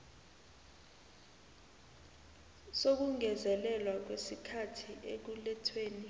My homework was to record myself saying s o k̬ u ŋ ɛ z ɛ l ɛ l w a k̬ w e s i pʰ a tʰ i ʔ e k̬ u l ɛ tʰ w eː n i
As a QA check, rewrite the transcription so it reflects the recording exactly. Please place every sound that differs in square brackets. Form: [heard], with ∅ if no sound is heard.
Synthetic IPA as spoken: s o k̬ u ŋ ɛ z ɛ l ɛ l w a k̬ w e s i [kʰ] a tʰ i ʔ e k̬ u l ɛ tʰ w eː n i